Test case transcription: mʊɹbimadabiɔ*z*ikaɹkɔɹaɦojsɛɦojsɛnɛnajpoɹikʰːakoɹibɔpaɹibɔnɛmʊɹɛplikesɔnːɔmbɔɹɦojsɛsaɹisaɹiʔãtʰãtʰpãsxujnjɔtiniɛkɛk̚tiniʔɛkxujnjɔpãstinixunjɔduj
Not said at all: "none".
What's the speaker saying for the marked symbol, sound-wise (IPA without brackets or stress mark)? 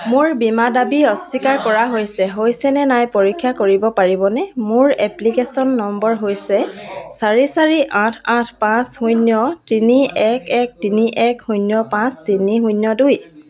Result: s